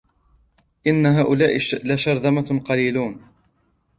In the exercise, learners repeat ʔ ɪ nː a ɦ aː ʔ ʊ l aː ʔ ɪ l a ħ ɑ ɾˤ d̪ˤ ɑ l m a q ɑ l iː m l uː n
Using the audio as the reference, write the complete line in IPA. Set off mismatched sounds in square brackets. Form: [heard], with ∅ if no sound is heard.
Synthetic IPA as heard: ʔ ɪ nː a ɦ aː ʔ ʊ l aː ʔ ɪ l a [ʃ] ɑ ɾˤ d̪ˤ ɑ [∅] m a q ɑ l iː [∅] l uː n